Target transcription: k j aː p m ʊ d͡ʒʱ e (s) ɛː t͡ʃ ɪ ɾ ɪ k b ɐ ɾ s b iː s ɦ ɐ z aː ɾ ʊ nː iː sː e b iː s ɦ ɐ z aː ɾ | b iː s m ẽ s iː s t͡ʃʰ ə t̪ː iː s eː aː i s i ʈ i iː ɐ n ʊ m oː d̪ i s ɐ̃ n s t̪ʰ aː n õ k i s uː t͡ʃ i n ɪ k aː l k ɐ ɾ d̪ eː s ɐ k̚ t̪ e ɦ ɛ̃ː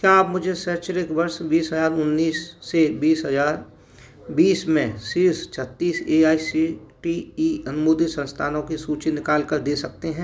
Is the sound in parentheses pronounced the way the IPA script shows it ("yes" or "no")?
yes